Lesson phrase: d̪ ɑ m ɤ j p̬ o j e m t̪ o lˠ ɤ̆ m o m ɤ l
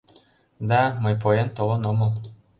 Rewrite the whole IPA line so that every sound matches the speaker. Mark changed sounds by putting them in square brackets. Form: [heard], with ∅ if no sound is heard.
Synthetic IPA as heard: d̪ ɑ m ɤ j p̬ o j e [n] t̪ o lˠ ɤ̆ [n] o m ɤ l

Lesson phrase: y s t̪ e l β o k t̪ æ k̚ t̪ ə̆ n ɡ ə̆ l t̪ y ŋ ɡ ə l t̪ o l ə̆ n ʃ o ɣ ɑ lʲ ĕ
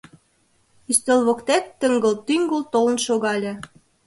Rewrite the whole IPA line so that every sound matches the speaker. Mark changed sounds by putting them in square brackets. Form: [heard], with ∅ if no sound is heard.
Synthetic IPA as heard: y s t̪ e l β o k t̪ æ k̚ t̪ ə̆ [ŋ] ɡ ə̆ l t̪ y ŋ ɡ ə l t̪ o l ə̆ n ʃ o ɣ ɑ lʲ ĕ

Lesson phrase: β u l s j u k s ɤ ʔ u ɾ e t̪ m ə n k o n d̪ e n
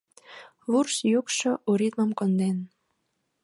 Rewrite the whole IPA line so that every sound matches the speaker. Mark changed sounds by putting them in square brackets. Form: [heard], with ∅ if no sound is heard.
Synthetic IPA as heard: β u [r] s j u k [ʃ] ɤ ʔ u ɾ [i] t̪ m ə [m] k o n d̪ e n

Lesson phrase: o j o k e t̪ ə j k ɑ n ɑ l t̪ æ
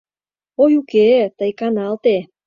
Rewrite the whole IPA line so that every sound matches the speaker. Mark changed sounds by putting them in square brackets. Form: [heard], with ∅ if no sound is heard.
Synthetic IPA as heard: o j [u] k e t̪ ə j k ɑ n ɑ l t̪ [e]

